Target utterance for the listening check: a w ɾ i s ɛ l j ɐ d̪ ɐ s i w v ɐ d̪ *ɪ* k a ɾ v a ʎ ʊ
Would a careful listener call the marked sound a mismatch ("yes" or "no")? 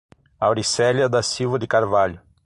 no